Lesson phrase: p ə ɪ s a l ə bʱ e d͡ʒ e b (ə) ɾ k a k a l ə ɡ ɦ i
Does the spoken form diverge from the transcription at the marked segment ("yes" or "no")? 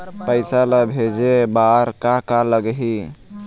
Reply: yes